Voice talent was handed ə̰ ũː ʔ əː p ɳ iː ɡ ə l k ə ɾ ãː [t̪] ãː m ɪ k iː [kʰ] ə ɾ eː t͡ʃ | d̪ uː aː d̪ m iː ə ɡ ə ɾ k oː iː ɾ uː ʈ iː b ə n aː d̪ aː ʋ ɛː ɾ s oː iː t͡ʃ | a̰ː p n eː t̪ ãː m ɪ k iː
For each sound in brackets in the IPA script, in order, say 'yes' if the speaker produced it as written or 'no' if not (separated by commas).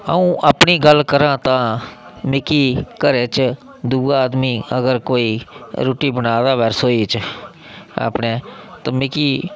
yes, no